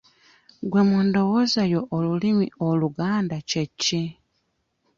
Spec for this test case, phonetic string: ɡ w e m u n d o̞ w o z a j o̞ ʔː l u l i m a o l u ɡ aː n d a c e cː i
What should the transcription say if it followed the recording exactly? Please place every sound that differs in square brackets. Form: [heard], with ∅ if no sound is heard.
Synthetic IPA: ɡ w e m u n d o̞ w o z a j o̞ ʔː l u l i m [i] o l u ɡ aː n d a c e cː i